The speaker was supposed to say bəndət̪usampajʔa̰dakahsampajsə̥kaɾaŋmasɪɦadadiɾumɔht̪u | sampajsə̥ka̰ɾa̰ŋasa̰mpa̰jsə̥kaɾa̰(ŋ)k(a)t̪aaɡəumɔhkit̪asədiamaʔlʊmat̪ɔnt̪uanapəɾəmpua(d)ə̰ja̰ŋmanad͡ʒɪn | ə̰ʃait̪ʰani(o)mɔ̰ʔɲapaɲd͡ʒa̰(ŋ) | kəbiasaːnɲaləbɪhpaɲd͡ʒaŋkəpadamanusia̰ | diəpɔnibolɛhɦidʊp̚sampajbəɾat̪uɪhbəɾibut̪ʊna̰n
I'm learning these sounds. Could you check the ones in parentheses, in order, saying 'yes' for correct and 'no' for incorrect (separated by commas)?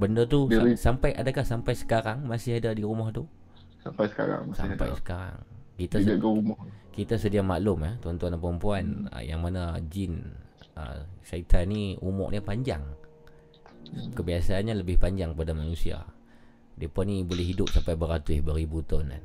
yes, no, no, no, yes